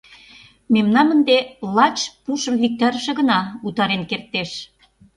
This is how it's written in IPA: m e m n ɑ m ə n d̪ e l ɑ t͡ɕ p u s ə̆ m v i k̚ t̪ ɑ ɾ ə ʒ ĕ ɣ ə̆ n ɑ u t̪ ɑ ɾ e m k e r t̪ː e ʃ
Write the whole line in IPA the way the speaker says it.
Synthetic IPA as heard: m e m n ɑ m ə n d̪ e l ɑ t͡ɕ p u ʃ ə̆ m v i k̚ t̪ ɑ ɾ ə ʃ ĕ ɣ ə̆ n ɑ u t̪ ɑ ɾ e n k e r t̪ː e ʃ